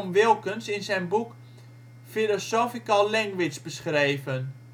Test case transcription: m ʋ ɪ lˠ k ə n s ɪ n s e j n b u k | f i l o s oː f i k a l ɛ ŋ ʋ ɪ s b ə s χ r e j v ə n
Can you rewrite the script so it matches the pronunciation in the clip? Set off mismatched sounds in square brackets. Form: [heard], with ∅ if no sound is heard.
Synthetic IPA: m ʋ ɪ lˠ k ə n s ɪ n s [ɛ] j n b u k | f i l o s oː f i k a l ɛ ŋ ʋ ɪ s b ə s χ r e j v ə n